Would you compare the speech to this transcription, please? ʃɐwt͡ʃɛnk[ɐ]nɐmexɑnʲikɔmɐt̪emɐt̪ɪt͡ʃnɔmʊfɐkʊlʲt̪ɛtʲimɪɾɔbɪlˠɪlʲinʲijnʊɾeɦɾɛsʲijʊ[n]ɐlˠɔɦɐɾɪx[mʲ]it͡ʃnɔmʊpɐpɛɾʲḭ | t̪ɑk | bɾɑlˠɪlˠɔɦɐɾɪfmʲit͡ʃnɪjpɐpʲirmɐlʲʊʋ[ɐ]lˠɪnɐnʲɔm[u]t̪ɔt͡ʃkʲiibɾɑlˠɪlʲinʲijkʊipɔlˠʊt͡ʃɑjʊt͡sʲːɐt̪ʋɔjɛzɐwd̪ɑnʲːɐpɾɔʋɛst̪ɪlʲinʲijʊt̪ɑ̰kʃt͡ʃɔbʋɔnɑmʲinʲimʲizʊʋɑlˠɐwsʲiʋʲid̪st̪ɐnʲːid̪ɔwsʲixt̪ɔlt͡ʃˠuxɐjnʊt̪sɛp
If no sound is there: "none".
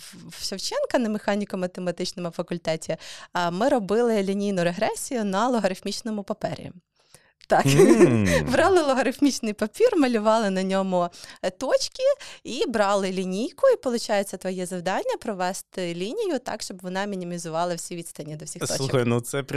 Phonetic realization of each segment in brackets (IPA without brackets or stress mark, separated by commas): ɐ, n, mʲ, ɑ, ʊ